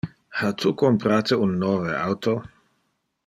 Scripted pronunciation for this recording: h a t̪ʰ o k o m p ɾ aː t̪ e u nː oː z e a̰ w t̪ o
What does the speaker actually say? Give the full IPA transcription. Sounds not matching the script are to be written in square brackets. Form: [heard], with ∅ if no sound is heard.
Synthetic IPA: h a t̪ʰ [u] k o m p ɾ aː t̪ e u nː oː [v] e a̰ w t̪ o